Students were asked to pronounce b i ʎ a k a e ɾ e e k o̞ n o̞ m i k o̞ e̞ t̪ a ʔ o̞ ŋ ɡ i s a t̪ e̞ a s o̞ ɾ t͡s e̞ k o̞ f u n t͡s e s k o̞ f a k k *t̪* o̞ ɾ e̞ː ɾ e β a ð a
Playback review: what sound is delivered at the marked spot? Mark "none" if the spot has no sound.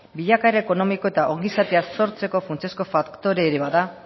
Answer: t̪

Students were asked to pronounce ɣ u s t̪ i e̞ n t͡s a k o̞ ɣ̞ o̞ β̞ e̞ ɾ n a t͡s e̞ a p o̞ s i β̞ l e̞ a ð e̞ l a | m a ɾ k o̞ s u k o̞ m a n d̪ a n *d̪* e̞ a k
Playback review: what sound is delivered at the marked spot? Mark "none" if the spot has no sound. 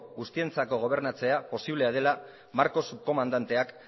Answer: t̪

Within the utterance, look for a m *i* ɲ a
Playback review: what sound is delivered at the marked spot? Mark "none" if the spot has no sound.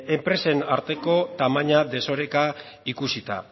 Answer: a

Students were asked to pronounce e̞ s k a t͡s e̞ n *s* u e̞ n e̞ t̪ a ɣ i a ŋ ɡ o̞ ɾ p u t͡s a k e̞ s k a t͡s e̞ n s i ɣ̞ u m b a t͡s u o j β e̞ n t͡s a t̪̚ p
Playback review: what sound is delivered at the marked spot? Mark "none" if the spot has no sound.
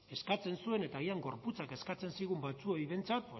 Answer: s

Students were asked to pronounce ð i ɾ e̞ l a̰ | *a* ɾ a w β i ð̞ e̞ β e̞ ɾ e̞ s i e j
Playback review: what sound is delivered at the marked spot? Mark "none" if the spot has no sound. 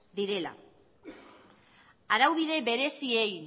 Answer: a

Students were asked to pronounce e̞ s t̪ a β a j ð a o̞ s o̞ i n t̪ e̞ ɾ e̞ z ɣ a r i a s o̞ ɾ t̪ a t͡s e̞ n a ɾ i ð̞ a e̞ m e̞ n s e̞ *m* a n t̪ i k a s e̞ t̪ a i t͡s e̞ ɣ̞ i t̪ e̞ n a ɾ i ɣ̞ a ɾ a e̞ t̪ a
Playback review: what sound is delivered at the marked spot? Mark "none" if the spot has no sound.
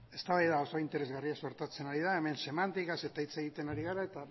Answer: m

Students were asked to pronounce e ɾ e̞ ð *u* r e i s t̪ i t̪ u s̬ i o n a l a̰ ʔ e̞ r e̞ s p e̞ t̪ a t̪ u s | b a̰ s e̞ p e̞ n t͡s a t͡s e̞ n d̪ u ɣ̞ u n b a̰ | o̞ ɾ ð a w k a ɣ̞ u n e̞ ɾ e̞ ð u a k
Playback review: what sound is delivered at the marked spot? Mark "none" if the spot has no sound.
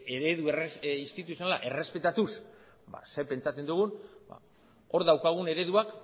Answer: u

